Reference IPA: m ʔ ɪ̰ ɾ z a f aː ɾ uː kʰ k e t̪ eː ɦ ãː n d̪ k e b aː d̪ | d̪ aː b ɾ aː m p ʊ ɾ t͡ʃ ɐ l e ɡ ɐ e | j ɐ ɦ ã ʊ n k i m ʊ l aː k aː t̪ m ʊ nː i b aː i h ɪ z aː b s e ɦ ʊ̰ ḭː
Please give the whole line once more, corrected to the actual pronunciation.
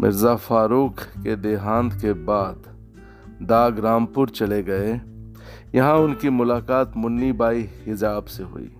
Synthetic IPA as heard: m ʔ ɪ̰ ɾ z a f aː ɾ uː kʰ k e d̪ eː ɦ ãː n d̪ k e b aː d̪ | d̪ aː ɡ ɾ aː m p ʊ ɾ t͡ʃ ɐ l e ɡ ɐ e | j ɐ ɦ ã ʊ n k i m ʊ l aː k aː t̪ m ʊ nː i b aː i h ɪ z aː b s e ɦ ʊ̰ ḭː